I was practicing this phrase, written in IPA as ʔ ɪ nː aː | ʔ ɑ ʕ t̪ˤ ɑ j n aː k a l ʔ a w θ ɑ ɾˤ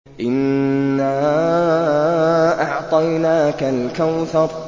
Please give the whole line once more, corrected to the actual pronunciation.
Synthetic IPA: ʔ ɪ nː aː | ʔ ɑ ʕ t̪ˤ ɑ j n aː k a l k a w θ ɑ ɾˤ